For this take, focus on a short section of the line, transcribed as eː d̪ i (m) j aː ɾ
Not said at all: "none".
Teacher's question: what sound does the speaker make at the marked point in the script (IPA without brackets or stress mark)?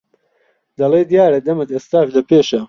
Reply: none